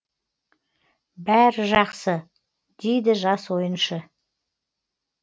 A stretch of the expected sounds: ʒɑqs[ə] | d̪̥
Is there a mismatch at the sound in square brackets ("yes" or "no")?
no